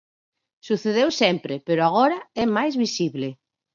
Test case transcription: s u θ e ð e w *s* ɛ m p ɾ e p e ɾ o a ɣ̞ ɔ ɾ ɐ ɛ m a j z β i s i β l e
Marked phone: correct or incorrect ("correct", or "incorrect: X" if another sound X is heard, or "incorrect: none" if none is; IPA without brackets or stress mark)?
correct